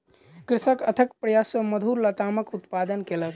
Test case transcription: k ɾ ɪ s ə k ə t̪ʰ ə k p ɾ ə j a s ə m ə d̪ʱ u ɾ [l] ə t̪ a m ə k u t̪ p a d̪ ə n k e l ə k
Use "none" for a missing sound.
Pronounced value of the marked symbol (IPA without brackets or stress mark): l